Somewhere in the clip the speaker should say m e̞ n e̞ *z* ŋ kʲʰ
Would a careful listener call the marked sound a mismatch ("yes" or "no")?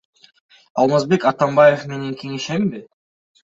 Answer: yes